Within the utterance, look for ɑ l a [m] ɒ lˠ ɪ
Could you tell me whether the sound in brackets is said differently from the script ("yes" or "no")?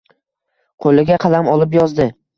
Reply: no